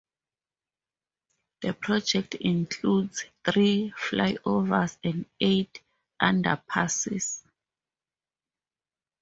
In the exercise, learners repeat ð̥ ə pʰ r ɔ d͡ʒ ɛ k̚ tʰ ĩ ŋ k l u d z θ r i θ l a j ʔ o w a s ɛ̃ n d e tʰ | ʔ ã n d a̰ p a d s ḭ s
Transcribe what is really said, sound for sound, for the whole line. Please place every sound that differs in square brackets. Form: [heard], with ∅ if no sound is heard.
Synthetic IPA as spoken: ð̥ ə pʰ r ɔ d͡ʒ ɛ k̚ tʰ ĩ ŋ [kʰ] l u d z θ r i [f] l a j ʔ o [v] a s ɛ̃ n d e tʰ | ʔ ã n d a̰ [pʰ] a [∅] s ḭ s